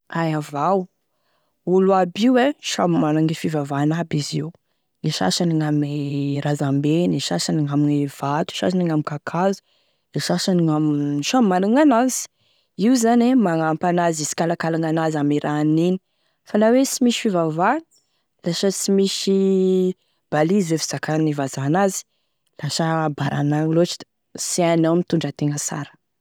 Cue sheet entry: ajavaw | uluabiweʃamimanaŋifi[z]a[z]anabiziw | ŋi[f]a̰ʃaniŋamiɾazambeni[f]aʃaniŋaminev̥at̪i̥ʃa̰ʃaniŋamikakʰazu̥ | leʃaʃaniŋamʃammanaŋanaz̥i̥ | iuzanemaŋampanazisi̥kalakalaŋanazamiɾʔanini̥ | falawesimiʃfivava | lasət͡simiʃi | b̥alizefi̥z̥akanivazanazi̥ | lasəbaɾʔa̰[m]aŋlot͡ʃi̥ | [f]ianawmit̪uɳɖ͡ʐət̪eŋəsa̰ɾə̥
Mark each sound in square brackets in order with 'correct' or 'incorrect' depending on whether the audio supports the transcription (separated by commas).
incorrect, incorrect, incorrect, incorrect, incorrect, incorrect